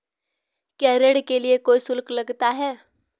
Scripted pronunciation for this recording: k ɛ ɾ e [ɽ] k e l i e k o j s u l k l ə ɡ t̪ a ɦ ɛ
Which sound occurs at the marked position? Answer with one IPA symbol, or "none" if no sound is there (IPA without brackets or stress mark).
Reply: ɽ